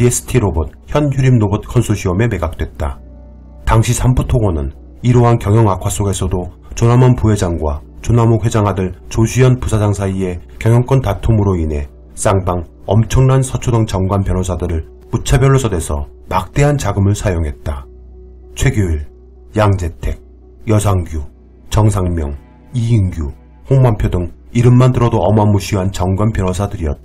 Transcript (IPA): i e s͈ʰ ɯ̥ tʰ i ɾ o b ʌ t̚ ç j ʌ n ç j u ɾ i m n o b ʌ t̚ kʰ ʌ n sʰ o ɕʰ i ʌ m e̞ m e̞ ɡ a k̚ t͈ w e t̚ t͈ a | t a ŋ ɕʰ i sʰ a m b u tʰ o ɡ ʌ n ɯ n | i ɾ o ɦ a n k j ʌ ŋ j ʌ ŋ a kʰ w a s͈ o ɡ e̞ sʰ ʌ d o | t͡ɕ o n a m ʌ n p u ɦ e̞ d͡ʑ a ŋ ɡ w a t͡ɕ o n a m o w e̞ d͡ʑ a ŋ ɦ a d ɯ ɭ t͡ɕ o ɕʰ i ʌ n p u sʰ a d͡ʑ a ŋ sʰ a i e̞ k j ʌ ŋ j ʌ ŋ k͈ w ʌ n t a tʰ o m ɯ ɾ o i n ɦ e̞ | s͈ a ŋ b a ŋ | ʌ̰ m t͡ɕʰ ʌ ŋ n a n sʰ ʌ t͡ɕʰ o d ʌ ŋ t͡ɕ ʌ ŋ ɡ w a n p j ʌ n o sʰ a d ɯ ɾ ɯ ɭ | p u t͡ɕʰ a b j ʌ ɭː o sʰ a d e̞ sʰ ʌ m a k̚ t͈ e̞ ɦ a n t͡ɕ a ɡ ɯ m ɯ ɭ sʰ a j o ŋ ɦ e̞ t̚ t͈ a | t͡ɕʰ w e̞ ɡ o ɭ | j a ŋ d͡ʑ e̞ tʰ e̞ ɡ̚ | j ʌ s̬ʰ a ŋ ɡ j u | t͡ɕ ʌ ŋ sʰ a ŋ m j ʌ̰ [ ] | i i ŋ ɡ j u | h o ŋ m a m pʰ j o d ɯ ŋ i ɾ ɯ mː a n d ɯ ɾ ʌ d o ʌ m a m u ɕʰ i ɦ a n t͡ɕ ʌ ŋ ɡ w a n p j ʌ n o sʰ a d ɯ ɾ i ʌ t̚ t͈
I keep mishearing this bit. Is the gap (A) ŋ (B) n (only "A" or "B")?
A